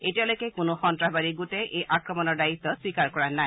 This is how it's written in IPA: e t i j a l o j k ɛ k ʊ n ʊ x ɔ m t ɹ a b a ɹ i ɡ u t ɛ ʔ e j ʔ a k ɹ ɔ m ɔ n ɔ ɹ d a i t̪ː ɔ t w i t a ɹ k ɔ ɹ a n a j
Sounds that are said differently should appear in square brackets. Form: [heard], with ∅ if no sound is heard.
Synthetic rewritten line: e t i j a l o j k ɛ k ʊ n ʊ x ɔ [n] t ɹ a b a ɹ i ɡ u t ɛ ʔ e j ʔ a k ɹ ɔ m ɔ n ɔ ɹ d a i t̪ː ɔ [s] w i [k] a ɹ k ɔ ɹ a n a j